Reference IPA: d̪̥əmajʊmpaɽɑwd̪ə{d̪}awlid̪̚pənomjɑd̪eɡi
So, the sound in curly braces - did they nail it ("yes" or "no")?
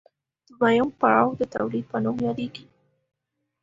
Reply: no